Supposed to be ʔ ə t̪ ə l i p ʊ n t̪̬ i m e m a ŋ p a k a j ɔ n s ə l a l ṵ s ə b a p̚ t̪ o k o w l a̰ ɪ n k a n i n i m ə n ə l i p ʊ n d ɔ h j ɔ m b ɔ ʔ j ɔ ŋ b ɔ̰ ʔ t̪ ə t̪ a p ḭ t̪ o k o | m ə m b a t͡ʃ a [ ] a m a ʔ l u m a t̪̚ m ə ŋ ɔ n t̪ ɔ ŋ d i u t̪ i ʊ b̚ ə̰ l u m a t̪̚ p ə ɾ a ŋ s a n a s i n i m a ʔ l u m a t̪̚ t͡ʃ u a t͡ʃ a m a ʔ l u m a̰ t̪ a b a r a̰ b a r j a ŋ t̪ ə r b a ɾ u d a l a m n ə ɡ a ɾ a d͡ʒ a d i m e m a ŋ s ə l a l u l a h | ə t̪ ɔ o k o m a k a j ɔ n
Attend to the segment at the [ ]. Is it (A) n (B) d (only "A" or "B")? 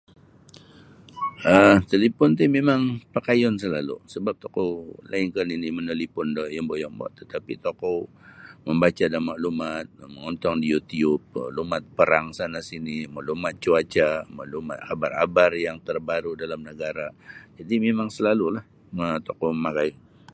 B